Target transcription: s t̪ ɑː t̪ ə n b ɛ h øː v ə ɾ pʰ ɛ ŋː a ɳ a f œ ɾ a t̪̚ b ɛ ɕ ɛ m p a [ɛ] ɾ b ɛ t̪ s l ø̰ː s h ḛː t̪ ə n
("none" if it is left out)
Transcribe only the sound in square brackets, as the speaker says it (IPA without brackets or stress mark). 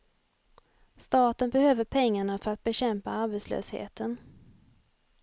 a